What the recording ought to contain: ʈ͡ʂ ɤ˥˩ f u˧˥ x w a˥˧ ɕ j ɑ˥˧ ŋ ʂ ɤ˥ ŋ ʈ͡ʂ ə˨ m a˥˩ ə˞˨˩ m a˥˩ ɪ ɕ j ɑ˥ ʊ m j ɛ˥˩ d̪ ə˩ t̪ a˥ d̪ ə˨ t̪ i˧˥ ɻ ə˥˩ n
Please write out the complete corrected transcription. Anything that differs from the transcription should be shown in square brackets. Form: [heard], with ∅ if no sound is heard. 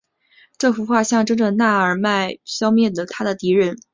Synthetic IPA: ʈ͡ʂ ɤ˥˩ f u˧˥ x w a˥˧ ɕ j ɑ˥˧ ŋ [ʈ͡ʂ] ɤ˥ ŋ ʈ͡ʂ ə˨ [n] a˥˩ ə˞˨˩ m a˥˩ ɪ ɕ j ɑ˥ ʊ m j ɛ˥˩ d̪ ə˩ [t̪ʰ] a˥ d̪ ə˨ t̪ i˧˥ ɻ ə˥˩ n